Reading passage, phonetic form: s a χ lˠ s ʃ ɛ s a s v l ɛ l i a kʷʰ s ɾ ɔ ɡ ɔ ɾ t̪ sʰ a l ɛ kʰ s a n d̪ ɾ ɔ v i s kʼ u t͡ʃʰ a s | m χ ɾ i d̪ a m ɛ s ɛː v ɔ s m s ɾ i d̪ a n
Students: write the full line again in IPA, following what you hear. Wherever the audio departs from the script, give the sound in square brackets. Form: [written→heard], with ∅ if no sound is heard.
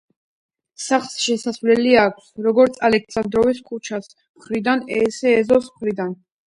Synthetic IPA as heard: s a χ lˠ s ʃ ɛ s a s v l ɛ l i a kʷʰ s ɾ ɔ ɡ ɔ ɾ t̪ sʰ a l ɛ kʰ s a n d̪ ɾ ɔ v i s kʼ u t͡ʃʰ a s | m χ ɾ i d̪ a [m→n] ɛ s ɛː [v→z] ɔ s m [s→χ] ɾ i d̪ a n

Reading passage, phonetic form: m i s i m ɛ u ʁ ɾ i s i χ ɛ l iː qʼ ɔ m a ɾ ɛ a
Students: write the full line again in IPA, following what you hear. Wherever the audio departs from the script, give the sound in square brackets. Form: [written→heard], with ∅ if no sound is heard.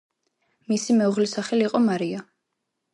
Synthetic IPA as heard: m i s i m ɛ u ʁ [ɾ→l] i s [i→a] χ ɛ l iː qʼ ɔ m a ɾ [ɛ→i] a

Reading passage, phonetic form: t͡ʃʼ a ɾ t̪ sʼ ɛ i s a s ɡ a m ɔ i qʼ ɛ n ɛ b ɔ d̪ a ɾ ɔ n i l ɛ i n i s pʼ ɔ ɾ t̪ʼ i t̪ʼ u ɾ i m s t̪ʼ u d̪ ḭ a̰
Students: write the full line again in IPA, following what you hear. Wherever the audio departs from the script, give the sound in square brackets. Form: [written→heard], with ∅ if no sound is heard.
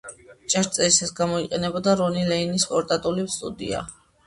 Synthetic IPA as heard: t͡ʃʼ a ɾ t̪ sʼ ɛ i s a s ɡ a m ɔ i qʼ ɛ n ɛ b ɔ d̪ a ɾ ɔ n i l ɛ i n i s pʼ ɔ ɾ t̪ʼ [i→a] t̪ʼ u [ɾ→l] i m s t̪ʼ u d̪ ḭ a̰

